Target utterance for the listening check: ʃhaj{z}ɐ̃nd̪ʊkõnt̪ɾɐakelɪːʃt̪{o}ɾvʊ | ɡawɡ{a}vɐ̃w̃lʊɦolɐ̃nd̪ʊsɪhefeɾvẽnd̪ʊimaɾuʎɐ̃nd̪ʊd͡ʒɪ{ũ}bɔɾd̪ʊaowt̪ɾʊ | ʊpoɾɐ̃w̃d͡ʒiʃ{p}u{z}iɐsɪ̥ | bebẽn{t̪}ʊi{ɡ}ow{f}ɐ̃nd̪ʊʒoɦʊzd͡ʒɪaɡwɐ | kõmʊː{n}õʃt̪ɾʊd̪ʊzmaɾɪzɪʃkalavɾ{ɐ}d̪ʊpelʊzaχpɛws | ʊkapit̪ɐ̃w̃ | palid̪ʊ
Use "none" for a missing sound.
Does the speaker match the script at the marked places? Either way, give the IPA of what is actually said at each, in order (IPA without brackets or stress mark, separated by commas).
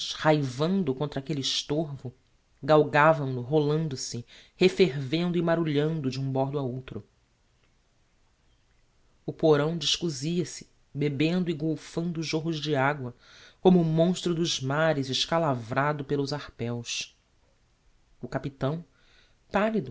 v, o, a, ũ, k, z, d̪, ɡ, f, m, a